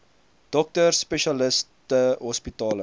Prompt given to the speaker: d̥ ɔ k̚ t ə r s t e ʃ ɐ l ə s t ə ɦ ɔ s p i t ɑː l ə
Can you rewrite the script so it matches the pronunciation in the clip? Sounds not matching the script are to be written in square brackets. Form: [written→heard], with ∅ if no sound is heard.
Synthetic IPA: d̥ ɔ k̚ t ə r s [t→p] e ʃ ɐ l ə s t ə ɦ ɔ s p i t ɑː l ə